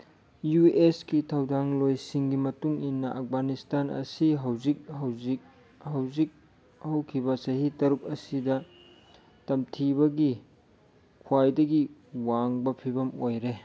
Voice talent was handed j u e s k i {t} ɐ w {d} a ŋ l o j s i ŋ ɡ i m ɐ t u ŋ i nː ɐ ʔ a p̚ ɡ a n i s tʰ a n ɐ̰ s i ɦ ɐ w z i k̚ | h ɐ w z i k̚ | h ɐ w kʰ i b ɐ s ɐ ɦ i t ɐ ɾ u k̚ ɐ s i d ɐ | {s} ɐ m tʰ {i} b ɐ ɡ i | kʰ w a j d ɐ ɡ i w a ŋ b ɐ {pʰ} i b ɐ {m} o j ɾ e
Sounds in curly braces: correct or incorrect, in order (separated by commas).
incorrect, correct, incorrect, correct, correct, correct